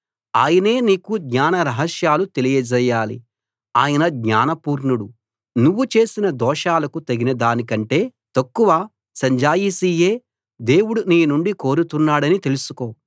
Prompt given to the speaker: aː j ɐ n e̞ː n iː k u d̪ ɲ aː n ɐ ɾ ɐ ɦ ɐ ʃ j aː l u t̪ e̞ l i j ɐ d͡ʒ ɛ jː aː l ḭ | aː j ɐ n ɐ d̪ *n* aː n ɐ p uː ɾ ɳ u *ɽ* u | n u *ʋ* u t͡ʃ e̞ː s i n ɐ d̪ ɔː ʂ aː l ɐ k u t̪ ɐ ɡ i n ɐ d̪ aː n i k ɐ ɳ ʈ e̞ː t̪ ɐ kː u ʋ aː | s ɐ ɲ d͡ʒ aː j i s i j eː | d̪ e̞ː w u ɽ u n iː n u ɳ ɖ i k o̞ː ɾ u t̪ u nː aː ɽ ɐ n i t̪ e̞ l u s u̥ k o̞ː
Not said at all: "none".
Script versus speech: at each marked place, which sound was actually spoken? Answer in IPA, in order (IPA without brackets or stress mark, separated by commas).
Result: ɲ, ɽ, ʋː